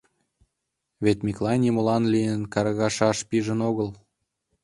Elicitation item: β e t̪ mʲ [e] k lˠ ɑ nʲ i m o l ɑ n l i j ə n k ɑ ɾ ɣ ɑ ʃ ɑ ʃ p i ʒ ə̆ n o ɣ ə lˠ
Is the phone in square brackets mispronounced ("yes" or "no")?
yes